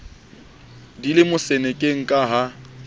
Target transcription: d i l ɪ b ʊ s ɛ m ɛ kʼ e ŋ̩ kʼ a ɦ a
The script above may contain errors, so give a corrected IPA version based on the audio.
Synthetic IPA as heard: d i l ɪ m ʊ s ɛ n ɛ kʼ e ŋ̩ kʼ a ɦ a